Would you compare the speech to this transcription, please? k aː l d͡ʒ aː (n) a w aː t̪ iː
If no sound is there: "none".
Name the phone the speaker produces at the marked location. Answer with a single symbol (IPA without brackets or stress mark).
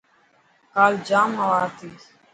m